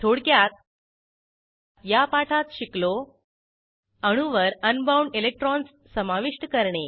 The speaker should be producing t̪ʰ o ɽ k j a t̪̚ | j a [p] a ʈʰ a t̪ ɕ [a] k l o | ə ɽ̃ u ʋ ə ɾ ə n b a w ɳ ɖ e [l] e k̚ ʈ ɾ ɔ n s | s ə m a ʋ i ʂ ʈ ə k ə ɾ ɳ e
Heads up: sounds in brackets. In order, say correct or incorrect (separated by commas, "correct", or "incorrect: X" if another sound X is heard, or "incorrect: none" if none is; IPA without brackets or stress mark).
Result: correct, incorrect: i, correct